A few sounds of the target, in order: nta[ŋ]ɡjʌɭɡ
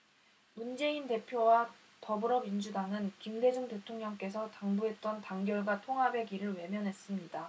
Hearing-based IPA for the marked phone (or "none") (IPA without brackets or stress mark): ŋ